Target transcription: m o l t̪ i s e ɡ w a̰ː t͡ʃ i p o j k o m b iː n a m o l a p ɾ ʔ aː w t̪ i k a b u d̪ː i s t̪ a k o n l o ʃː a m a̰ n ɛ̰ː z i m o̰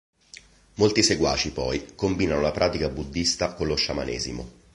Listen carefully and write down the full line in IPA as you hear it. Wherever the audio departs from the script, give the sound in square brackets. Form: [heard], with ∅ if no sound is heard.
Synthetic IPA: m o l t̪ i s e ɡ w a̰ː t͡ʃ i p [ɔ] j k o m b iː n a [n] o l a p ɾ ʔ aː [∅] t̪ i k a b u d̪ː i s t̪ a k o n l o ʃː a m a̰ n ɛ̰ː z i m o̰